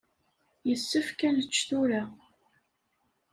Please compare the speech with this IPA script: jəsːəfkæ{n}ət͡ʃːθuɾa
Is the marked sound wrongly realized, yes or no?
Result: no